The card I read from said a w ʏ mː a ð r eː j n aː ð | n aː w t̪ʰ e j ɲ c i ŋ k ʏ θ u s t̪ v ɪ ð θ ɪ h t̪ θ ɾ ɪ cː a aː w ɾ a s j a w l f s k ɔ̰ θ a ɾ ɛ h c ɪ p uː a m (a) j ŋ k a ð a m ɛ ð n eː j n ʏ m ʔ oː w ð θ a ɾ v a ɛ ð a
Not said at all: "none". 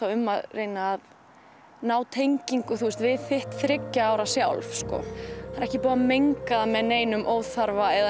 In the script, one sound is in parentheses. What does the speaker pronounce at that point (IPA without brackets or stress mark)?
e